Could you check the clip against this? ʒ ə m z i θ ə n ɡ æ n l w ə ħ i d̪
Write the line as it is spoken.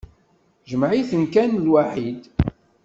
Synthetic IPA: ʒ ə m ʕ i θ ə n k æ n l w a ħ i d̪

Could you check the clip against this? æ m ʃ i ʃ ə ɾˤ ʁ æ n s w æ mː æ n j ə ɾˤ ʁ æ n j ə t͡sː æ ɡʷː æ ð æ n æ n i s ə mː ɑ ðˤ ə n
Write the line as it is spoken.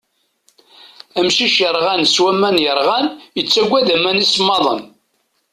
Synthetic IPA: æ m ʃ i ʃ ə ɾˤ ʁ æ n s w æ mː æ n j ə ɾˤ ʁ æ n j ə t͡sː æ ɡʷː æ ð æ m æ n i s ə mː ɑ ðˤ ə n

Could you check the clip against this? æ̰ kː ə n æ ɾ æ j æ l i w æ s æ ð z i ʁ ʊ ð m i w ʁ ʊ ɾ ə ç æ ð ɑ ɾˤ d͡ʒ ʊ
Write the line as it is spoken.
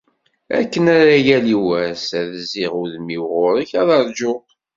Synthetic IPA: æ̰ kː ə n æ ɾ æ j æ l i w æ s æ ð z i ʁ ʊ ð m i w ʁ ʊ ɾ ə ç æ ð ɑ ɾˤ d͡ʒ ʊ

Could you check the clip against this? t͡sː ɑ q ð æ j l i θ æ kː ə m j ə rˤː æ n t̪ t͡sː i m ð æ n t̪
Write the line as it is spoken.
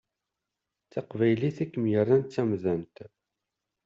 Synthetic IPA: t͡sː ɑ q v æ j l i θ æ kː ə m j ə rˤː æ n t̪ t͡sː æ m ð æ n t̪

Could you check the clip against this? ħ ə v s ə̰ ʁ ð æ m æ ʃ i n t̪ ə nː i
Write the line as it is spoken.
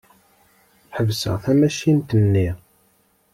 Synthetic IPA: ħ ə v s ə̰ ʁ θ æ m æ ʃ i n t̪ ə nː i

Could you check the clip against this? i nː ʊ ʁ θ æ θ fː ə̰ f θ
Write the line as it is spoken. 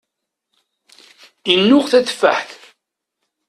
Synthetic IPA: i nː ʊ ʁ θ æ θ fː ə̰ ħ θ

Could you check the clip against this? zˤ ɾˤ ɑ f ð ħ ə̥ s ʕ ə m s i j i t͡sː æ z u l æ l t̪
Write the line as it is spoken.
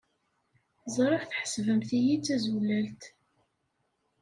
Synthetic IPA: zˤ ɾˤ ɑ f θ ħ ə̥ s v ə m θ i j i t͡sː æ z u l æ l t̪

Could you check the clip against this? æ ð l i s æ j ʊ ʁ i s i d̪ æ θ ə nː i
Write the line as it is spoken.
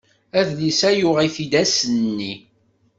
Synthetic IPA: æ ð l i s æ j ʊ ʁ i θ i d̪ æ s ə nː i

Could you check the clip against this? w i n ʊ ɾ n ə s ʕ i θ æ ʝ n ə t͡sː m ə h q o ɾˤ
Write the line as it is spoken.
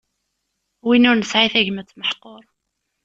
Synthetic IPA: w i n ʊ ɾ n ə s ʕ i θ æ ʝ m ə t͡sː m ə ħ q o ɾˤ

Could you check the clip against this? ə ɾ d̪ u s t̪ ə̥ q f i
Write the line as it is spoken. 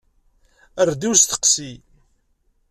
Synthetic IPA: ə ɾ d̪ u s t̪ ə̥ q s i

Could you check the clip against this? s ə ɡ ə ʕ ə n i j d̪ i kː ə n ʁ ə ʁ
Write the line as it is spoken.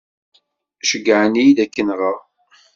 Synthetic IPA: ʃ ə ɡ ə ʕ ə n i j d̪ æ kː ə n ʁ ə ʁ

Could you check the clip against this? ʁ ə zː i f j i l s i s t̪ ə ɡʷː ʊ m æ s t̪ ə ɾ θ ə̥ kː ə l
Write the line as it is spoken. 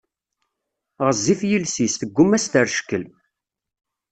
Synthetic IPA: ʁ ə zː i f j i l s i s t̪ ə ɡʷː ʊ m æ s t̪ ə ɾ ʃ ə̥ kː ə l

